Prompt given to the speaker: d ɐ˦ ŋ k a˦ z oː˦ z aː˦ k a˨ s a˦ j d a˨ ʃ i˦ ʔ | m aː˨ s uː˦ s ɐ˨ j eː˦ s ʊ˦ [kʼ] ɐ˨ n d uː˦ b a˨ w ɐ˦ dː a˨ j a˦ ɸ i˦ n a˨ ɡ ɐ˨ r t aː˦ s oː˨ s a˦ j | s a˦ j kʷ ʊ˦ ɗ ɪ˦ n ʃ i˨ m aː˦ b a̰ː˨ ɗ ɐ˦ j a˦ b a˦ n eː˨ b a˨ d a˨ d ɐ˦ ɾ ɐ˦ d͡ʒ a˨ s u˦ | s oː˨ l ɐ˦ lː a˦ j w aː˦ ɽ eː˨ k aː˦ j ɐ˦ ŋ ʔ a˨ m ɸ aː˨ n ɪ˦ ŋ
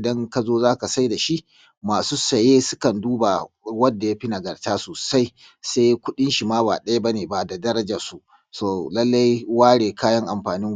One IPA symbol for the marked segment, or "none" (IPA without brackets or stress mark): k